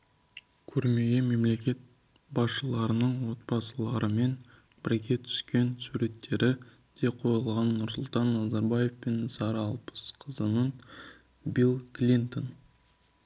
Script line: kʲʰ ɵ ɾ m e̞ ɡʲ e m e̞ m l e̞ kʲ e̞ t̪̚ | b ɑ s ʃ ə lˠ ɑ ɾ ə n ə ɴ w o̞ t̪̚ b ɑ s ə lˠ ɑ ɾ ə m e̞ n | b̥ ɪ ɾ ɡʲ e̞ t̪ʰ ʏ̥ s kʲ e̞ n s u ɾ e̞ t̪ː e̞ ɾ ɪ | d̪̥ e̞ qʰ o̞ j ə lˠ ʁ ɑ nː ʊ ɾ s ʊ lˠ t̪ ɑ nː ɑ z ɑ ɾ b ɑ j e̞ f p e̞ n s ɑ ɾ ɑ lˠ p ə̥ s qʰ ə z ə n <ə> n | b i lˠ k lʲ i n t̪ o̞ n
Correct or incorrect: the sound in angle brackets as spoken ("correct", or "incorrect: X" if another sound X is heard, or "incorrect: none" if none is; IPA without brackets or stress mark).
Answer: correct